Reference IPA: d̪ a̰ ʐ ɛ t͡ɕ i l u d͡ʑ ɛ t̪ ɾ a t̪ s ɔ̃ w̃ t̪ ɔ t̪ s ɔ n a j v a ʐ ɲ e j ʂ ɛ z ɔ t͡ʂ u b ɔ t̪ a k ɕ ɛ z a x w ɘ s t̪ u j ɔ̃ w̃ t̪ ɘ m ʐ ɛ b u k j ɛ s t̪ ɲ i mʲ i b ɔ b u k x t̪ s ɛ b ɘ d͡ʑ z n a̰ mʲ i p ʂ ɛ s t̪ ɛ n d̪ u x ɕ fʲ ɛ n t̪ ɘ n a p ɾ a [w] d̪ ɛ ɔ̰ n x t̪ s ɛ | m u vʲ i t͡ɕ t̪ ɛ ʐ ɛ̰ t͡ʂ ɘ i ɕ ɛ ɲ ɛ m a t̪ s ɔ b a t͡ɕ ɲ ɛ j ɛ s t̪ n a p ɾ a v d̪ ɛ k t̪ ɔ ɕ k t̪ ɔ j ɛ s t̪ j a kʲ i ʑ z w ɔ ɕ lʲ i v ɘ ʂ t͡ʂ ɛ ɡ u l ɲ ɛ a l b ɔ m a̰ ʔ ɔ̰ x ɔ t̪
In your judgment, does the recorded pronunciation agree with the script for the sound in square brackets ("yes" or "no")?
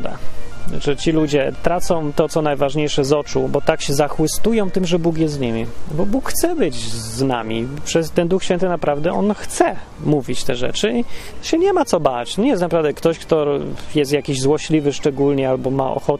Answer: no